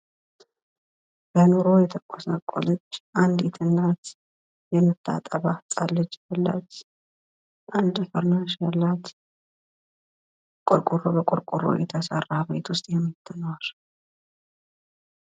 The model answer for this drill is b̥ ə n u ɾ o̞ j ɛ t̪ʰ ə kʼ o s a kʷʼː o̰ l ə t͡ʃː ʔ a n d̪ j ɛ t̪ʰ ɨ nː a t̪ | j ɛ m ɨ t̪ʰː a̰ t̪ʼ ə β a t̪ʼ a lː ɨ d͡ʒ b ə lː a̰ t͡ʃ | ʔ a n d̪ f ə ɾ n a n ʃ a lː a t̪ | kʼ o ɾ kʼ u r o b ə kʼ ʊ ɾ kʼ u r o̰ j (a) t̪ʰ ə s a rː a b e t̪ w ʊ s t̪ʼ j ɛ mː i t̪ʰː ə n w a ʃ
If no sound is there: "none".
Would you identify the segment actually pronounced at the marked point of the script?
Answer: ɛ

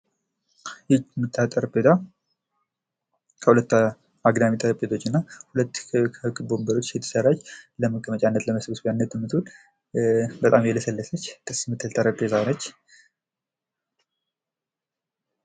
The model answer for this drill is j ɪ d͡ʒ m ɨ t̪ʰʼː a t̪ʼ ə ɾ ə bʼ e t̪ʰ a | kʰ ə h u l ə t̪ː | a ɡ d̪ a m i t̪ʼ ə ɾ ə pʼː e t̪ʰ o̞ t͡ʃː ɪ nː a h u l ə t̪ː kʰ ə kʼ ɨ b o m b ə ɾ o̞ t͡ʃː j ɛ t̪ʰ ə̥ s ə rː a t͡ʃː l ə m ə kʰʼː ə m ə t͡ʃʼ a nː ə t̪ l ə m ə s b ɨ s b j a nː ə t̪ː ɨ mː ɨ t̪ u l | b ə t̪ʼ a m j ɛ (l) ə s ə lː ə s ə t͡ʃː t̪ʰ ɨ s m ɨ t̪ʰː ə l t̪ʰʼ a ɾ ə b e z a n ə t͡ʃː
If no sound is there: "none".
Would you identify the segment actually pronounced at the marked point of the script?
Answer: l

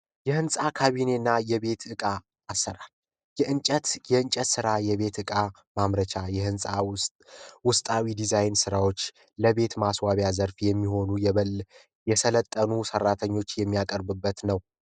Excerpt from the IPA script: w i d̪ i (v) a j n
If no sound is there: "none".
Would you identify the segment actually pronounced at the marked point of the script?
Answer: z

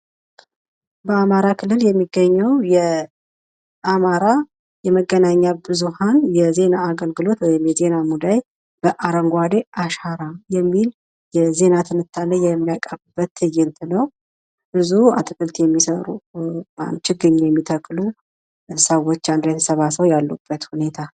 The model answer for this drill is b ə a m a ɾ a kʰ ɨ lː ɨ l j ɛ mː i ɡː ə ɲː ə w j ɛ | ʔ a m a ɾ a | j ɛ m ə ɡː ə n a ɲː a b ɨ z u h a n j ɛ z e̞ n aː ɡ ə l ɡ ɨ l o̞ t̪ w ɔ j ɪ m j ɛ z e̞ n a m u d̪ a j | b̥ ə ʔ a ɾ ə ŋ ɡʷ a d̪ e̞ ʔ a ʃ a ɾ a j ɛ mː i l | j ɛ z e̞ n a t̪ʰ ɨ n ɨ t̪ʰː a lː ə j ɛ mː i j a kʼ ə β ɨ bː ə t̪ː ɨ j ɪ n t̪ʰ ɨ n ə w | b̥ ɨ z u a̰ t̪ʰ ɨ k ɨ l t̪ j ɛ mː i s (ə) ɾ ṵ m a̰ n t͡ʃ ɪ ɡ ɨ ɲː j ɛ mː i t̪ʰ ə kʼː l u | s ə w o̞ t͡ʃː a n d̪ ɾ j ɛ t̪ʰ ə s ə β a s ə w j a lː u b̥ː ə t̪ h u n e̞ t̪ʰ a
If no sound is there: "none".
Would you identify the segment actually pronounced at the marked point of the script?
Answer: ə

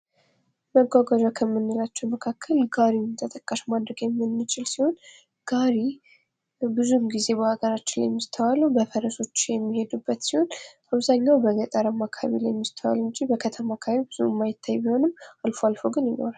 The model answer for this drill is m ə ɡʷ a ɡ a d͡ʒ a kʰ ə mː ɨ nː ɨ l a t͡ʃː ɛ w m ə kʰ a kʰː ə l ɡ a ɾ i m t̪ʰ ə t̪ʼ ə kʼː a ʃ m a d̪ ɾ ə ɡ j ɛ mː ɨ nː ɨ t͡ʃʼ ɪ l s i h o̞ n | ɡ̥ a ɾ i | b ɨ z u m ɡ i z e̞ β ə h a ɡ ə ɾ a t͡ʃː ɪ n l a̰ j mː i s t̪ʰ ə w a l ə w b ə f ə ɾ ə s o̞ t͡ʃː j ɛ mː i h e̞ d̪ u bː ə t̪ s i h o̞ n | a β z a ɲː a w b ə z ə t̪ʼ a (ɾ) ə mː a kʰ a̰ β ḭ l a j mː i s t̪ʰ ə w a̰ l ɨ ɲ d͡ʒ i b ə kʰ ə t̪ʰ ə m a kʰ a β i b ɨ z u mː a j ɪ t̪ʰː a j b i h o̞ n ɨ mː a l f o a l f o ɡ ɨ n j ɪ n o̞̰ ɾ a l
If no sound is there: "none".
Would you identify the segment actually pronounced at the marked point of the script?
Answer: ɾ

